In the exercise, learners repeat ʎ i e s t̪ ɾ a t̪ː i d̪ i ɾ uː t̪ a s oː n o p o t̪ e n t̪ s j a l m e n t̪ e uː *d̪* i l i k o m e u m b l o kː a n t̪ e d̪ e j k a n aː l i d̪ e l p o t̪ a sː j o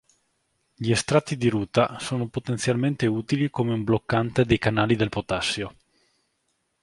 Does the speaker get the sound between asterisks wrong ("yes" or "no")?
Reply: yes